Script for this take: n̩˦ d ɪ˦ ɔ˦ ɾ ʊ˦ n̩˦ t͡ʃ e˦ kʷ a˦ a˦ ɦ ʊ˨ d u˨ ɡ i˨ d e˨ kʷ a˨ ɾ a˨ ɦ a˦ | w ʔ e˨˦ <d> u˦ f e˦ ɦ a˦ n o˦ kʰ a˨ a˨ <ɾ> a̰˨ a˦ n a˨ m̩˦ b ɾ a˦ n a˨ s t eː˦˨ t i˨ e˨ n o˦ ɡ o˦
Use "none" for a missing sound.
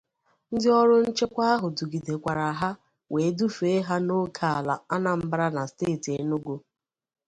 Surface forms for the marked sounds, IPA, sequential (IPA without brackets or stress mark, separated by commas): d, l